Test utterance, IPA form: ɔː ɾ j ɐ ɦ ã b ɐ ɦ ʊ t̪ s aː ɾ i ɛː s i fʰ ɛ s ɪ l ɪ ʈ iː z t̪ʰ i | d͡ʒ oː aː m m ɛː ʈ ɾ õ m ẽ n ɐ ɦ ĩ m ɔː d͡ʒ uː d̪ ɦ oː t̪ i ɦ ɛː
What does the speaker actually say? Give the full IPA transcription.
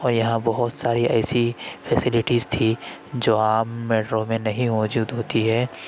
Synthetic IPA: ɔː ɾ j ɐ ɦ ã b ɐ ɦ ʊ t̪ s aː ɾ i ɛː s i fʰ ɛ s ɪ l ɪ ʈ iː z t̪ʰ i | d͡ʒ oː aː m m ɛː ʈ ɾ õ m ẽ n ɐ ɦ ĩ m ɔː d͡ʒ uː d̪ ɦ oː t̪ i ɦ ɛː